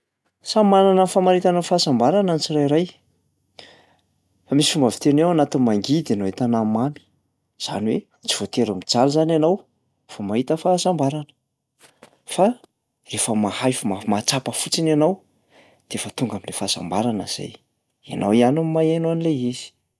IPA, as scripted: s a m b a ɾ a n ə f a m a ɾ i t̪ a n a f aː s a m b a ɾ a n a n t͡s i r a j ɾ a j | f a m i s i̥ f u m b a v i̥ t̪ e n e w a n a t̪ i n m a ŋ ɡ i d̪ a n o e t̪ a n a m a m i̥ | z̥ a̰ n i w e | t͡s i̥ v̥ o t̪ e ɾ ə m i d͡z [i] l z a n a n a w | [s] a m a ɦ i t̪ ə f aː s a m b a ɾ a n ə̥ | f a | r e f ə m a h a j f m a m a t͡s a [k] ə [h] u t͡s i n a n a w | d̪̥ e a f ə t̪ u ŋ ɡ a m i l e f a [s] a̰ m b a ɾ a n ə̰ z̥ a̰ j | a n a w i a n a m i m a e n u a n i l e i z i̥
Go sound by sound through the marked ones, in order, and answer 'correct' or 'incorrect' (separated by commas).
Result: incorrect, incorrect, incorrect, incorrect, correct